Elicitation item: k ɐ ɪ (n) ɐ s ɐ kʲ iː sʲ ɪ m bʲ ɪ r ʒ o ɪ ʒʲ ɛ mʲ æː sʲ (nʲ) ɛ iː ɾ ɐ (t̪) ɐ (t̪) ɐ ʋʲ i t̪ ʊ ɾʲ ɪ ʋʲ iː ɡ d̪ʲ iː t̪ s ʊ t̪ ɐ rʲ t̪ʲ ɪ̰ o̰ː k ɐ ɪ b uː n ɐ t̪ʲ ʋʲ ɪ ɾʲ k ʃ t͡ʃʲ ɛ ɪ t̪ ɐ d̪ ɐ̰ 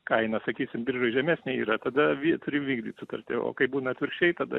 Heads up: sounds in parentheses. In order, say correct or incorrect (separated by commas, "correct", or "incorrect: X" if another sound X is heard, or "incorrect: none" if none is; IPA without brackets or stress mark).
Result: correct, correct, correct, incorrect: d̪